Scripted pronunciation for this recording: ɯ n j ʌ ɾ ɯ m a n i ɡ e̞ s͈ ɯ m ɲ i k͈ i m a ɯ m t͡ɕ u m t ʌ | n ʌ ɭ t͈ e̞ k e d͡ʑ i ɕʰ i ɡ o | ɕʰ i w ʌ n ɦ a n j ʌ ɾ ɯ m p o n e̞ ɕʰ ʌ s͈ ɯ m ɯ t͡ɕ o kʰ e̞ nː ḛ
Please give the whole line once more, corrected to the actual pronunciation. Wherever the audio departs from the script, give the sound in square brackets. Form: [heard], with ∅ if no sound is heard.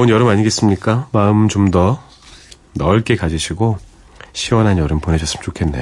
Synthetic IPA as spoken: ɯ n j ʌ ɾ ɯ m a [ɲ] i ɡ e̞ s͈ ɯ m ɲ i k͈ [a] m a ɯ m t͡ɕ [o] m [d] ʌ | n ʌ ɭ [k͈] e̞ k [a] d͡ʑ i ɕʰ i ɡ o | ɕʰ i w ʌ n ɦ a n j ʌ ɾ ɯ m p o n e̞ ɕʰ ʌ s͈ ɯ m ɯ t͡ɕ o kʰ e̞ nː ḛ